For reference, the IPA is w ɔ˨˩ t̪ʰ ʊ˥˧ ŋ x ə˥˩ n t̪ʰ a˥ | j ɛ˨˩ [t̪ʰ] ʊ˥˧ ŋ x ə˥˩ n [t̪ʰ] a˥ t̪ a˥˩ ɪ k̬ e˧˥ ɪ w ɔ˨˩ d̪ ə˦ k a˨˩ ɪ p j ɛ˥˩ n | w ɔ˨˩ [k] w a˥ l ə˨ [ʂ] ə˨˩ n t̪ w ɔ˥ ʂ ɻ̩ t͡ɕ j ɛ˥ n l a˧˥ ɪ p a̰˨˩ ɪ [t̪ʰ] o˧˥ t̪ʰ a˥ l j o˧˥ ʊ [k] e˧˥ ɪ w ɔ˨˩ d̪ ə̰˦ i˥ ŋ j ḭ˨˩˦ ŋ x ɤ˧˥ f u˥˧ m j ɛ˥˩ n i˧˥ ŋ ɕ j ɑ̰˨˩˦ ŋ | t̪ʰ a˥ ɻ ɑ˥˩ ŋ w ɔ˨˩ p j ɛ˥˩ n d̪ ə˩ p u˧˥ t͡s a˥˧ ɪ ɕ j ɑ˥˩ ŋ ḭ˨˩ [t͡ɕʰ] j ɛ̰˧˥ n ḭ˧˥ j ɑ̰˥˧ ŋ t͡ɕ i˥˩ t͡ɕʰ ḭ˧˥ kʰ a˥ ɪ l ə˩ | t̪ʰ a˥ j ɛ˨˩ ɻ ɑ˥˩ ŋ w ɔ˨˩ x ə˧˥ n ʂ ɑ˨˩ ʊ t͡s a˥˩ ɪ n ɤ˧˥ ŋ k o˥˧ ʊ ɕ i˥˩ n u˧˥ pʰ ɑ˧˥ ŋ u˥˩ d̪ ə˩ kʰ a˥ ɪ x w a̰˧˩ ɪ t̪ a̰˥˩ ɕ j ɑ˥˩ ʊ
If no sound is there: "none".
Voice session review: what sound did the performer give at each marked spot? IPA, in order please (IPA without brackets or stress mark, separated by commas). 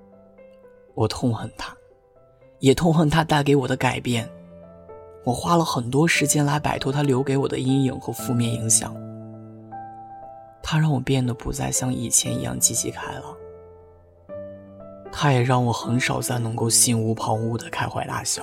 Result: t̪ʰ, t̪ʰ, x, x, t̪ʰ, k, t͡ɕʰ